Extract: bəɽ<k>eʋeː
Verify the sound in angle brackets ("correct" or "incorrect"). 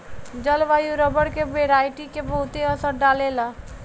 correct